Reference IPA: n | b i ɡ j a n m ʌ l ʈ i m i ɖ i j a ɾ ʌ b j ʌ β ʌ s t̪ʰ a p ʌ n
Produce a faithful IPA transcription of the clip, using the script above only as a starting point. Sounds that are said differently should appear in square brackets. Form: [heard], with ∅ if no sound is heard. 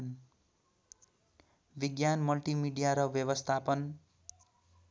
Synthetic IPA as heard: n | b i ɡ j a n m ʌ l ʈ i m i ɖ i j a ɾ ʌ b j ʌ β ʌ s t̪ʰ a p ʌ n

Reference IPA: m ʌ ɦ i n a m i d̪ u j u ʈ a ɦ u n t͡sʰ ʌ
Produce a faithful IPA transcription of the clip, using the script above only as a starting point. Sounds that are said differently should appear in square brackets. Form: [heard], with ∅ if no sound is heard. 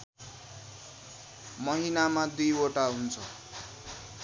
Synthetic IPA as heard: m ʌ ɦ i n a m [a] d̪ u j [o] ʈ a ɦ u n t͡sʰ ʌ

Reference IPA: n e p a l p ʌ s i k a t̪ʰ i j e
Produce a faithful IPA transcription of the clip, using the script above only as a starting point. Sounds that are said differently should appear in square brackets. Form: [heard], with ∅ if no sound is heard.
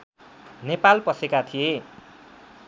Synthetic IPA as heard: n e p a l p ʌ s [e] k a t̪ʰ i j e

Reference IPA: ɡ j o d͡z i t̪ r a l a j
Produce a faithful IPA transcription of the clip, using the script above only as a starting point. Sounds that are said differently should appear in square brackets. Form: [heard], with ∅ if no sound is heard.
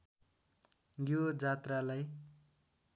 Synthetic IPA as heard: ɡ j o d͡z [a] t̪ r a l a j

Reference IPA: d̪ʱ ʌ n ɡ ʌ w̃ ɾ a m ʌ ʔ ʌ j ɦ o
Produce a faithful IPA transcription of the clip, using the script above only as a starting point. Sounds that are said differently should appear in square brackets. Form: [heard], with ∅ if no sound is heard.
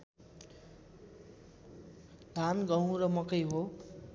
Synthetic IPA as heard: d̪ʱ [a] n ɡ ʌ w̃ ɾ [ʌ] m ʌ [k] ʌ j ɦ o

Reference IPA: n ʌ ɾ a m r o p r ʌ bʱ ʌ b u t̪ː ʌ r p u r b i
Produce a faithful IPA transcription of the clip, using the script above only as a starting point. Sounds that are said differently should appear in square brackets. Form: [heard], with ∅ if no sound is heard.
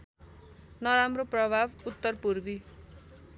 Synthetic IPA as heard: n ʌ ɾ a m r o p r ʌ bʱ [a] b u t̪ː ʌ r p u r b i

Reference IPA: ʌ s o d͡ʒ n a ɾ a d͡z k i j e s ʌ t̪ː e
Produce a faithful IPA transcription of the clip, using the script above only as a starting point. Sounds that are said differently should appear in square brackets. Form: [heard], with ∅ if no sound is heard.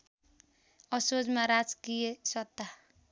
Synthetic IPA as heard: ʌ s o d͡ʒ [m] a ɾ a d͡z k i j e s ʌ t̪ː [a]

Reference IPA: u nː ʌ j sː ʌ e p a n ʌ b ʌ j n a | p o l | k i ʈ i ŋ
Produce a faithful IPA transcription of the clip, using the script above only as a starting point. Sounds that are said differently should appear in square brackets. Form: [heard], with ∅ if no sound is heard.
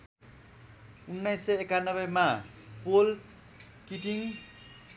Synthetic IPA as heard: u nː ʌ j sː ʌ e [k] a n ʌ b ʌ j [m] a | p o l | k i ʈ i ŋ

